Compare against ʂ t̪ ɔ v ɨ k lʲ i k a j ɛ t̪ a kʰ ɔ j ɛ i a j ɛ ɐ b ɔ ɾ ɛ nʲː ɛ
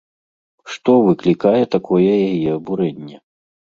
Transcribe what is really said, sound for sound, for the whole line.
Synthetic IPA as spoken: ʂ t̪ ɔ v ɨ k lʲ i k a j ɛ t̪ a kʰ ɔ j ɛ j a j ɛ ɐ b u ɾ ɛ nʲː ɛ